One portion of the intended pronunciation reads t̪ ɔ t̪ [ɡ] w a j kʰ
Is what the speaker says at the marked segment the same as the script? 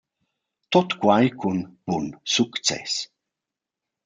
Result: no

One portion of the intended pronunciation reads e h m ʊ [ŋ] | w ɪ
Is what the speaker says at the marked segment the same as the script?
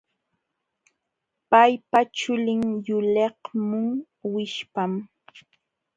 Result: yes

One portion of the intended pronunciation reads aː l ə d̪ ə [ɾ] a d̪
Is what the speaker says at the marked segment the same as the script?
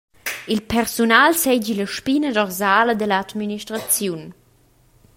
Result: no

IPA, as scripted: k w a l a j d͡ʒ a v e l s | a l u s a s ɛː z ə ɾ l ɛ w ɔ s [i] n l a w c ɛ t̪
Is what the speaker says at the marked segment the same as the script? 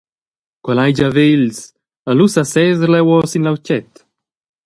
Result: yes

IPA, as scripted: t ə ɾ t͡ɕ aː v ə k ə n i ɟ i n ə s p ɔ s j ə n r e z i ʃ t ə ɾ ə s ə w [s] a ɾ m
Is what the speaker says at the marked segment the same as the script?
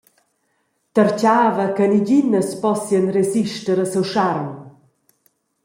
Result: no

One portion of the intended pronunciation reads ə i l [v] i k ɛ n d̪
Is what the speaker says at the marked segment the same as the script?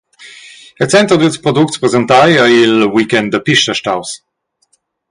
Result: no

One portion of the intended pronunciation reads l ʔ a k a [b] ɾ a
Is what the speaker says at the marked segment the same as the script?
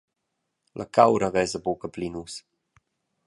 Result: no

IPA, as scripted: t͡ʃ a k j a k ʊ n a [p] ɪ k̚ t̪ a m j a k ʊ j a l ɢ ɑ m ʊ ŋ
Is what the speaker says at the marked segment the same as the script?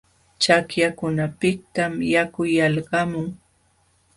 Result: yes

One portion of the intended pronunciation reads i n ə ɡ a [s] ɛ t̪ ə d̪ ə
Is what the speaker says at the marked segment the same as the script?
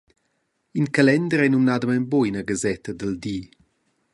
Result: no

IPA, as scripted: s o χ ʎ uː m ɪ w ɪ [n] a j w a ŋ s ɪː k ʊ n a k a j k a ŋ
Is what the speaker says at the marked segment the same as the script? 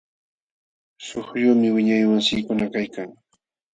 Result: no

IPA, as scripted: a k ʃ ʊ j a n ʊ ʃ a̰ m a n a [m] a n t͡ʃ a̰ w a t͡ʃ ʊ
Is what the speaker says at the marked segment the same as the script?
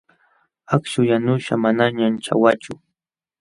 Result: no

